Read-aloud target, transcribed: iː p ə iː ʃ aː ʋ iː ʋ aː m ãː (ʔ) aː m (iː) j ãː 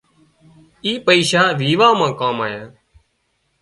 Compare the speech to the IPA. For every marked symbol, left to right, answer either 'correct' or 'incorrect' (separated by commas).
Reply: incorrect, incorrect